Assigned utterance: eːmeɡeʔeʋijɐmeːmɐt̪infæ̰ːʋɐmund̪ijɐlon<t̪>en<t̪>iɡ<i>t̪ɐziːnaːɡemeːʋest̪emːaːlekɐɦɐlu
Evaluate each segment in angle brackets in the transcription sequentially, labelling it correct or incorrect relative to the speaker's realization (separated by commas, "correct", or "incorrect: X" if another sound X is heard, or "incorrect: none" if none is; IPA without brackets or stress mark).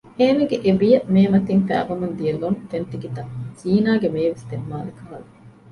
correct, correct, correct